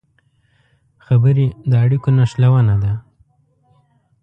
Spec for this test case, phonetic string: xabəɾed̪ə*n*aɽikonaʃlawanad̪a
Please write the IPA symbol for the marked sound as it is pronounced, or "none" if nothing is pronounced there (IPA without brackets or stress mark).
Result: none